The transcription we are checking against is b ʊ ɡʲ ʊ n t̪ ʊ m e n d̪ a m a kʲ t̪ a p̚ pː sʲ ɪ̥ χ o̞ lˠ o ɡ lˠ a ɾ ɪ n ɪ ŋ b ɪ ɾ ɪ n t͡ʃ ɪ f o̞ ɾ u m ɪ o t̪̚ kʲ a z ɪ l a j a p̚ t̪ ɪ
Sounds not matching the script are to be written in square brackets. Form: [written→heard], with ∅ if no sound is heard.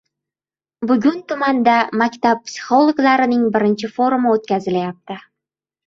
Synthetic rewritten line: b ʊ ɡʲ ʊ n t̪ ʊ m [e→a] n d̪ a m a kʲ t̪ a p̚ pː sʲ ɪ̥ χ o̞ lˠ o ɡ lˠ a ɾ ɪ n ɪ ŋ b ɪ ɾ ɪ n t͡ʃ ɪ f o̞ ɾ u m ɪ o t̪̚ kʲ a z ɪ l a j a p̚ t̪ ɪ